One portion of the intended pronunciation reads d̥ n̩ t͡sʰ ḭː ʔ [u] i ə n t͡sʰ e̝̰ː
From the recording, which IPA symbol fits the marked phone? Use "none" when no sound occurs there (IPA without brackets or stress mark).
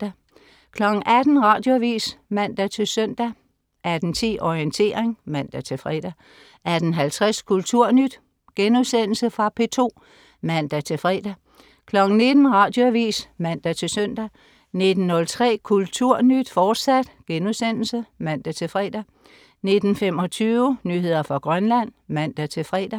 ɒ